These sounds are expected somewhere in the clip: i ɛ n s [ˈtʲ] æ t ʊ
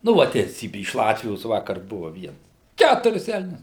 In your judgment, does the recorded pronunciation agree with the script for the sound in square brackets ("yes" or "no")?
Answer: no